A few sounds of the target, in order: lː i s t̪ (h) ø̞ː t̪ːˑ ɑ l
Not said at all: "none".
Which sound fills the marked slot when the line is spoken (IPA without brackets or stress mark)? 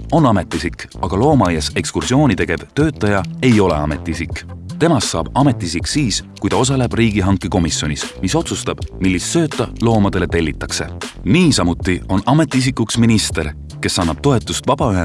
s